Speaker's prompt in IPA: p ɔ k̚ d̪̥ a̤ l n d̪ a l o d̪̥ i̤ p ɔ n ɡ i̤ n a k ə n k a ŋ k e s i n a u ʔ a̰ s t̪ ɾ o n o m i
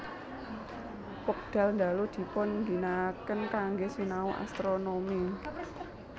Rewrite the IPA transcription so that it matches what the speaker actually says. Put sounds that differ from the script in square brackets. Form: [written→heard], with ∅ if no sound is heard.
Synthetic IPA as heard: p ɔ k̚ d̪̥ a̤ l n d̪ a l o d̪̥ i̤ p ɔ n ɡ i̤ n a k ə n k a ŋ [k→ɡ] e s i n a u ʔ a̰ s t̪ ɾ o n o m i